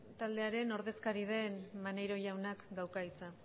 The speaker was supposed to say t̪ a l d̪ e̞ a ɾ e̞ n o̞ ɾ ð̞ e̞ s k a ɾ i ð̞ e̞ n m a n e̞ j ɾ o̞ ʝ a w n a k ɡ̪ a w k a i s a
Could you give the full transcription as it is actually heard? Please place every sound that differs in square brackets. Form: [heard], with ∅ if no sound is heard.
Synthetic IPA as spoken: t̪ a l d̪ e̞ a ɾ e̞ n o̞ ɾ ð̞ e̞ s k a ɾ i ð̞ e̞ n m a n e̞ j ɾ o̞ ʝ a w n a k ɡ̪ a w k a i [t͡s] a